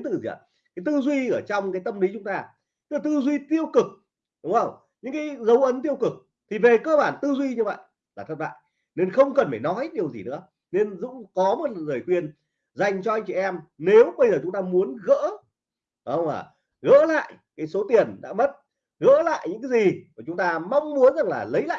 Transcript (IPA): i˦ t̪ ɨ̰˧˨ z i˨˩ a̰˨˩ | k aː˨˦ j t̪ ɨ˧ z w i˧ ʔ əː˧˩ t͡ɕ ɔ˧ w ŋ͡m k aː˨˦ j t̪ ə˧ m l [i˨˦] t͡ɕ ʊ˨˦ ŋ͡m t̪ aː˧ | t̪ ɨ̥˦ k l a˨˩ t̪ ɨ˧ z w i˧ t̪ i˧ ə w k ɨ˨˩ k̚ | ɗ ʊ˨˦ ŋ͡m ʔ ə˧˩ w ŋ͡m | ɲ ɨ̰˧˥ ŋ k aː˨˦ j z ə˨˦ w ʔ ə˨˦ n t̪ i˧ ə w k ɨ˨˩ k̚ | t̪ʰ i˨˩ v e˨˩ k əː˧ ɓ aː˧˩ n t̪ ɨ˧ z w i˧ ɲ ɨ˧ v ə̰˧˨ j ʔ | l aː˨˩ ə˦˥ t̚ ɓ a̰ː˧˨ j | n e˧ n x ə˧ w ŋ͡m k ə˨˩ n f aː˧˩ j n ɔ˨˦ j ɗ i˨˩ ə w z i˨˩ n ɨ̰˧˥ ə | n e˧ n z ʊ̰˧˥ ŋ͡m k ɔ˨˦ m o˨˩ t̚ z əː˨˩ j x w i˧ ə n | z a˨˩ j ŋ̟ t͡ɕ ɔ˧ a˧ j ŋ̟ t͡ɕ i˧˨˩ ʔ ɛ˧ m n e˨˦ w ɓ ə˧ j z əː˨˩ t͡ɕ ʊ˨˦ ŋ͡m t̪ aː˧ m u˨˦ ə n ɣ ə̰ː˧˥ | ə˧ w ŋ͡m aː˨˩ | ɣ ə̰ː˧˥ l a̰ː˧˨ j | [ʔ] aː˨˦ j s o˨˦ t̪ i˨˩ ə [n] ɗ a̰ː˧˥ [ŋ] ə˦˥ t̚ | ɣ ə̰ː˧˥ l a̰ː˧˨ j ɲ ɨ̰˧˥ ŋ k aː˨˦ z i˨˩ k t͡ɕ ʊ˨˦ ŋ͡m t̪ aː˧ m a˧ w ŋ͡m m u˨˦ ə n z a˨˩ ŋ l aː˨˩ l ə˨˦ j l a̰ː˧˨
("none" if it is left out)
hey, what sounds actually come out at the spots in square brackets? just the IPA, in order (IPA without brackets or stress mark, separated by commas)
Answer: i˨˦, k, n, m